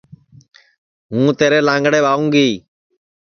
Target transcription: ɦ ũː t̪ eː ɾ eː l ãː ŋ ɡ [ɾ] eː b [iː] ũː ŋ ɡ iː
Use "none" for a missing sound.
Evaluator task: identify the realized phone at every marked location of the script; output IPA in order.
ɽ, aː

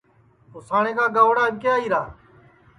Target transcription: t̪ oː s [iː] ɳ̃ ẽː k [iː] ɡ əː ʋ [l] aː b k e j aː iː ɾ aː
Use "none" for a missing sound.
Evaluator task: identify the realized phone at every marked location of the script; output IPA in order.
aː, aː, ɽ

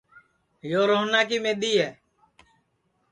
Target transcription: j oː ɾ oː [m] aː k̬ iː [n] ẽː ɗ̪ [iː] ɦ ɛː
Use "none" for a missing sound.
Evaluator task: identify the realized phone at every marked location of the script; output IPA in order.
n, m, iː

